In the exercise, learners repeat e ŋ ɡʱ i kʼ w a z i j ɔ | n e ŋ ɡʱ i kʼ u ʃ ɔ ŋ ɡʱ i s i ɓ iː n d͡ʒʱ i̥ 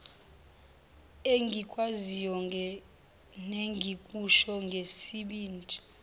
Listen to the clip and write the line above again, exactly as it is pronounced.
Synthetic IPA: e ŋ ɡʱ i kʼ w a z i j ɔ | n e ŋ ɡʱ i kʼ u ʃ ɔ ŋ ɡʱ e s i ɓ iː n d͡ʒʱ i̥